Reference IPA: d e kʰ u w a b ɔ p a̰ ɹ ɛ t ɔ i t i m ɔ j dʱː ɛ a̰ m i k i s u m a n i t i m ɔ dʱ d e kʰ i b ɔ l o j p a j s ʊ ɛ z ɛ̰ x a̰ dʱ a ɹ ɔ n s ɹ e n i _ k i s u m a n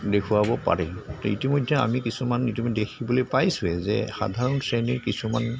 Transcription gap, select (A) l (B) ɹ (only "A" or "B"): B